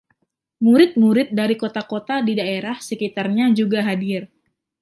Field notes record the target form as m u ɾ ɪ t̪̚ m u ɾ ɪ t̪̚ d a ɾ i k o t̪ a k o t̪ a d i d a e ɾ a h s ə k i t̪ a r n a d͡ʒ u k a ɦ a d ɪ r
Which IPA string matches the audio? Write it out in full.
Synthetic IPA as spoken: m u ɾ ɪ t̪̚ m u ɾ ɪ t̪̚ d a ɾ i k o t̪ a k o t̪ a d i d a e ɾ a h s ə k i t̪ a r ɲ a d͡ʒ u ɡ a ɦ a d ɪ r

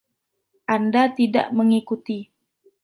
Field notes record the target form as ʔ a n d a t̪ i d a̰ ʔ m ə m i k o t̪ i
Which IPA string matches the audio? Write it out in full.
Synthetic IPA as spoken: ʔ a n d a t̪ i d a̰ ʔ m ə ŋ i k u t̪ i

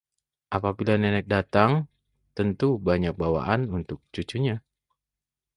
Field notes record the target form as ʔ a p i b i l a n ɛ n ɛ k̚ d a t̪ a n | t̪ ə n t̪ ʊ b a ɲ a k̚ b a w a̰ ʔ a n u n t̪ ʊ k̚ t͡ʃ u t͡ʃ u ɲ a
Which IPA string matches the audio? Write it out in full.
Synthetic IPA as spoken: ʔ a p a b i l a n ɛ n ɛ k̚ d a t̪ a ŋ | t̪ ə n t̪ u b a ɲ a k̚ b a w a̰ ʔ a n u n t̪ ʊ k̚ t͡ʃ u t͡ʃ u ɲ a

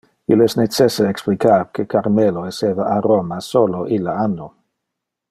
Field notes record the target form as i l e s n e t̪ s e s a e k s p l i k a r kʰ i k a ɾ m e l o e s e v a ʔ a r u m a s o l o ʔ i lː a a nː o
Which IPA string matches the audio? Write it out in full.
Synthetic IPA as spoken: i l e s n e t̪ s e s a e k s p l i k a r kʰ e k a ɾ m e l o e s e v a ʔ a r o m a s o l o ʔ i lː a a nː o

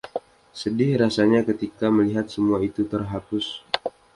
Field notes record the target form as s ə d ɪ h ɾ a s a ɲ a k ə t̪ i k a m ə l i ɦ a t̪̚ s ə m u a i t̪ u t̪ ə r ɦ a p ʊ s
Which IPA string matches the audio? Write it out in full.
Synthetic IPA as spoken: s ə d ɪ h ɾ a s a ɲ a k ə t̪ i k a m ə l i ɦ a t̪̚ s ə m u a i t̪ u t̪ ə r ɦ a p ʊ s

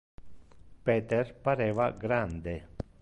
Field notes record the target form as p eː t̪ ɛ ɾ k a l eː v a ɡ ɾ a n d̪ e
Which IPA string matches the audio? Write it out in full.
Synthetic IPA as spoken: p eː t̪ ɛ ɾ p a ɾ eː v a ɡ ɾ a n d̪ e

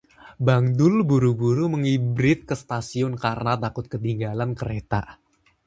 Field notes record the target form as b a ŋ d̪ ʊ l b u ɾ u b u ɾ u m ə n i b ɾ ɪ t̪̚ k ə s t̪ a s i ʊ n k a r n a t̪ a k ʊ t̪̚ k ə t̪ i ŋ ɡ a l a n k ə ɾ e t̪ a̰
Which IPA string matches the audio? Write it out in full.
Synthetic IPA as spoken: b a ŋ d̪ ʊ l b u ɾ u b u ɾ u m ə ŋ i b ɾ ɪ t̪̚ k ə s t̪ a s i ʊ n k a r n a t̪ a k ʊ t̪̚ k ə t̪ i ŋ ɡ a l a n k ə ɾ e t̪ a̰

